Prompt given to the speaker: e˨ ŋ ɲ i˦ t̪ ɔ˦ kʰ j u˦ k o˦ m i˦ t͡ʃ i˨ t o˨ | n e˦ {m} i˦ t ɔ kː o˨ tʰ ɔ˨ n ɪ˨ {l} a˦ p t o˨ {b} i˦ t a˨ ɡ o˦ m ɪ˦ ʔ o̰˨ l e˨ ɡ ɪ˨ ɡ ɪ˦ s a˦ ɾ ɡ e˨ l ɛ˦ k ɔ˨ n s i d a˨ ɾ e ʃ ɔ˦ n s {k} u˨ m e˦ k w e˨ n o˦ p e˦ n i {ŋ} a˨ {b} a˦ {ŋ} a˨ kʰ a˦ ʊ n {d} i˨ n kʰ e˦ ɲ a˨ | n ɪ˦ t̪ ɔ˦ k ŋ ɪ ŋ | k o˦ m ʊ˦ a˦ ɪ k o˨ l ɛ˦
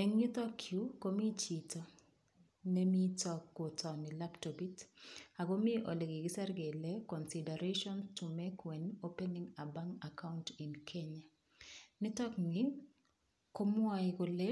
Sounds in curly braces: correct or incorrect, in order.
correct, correct, correct, incorrect: t, correct, correct, correct, incorrect: t

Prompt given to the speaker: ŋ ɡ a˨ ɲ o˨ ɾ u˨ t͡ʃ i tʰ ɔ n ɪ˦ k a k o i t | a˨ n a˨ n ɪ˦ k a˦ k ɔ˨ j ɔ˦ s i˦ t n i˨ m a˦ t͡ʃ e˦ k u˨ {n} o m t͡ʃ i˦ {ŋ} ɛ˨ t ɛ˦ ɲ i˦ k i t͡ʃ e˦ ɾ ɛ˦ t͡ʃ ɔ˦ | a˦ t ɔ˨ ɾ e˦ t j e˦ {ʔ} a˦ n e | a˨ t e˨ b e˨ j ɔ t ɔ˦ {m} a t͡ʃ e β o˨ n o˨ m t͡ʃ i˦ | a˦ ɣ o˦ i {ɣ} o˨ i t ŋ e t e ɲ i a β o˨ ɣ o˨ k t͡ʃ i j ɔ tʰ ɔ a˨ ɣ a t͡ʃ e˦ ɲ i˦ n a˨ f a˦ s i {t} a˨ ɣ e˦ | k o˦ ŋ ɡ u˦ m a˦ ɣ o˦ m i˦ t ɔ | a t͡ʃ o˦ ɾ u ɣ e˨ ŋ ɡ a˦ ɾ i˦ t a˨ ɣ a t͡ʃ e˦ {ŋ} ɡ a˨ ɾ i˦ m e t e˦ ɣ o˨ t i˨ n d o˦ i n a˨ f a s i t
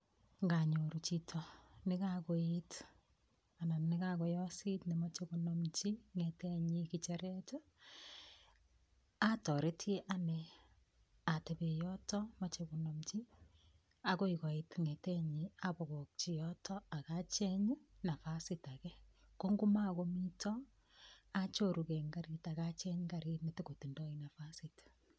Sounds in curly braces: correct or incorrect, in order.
correct, correct, correct, correct, correct, correct, incorrect: ɲ

